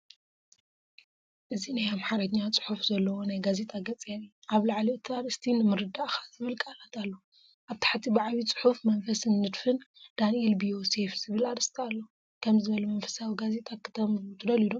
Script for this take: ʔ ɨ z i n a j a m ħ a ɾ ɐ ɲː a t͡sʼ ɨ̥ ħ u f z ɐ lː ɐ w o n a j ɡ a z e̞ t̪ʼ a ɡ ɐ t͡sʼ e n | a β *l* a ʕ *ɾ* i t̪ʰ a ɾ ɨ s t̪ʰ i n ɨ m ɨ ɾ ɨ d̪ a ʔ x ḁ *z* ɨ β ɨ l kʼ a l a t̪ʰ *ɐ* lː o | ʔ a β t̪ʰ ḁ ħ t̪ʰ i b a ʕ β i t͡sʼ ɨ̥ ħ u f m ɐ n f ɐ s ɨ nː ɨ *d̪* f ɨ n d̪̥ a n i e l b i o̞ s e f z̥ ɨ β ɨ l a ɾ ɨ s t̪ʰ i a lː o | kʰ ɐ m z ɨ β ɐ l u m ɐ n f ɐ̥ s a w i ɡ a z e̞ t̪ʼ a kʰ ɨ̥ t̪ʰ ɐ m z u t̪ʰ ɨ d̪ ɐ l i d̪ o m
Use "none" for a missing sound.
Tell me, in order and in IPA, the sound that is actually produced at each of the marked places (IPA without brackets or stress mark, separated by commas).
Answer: l, l, z, a, d̪